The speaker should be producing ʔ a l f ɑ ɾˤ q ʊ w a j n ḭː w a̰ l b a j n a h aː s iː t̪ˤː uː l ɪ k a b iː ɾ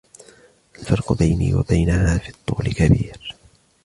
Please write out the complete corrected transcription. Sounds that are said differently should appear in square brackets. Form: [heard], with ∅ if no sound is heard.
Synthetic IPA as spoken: ʔ a l f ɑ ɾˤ q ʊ [b] a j n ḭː w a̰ [∅] b a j n a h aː [f] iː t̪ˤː uː l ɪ k a b iː ɾ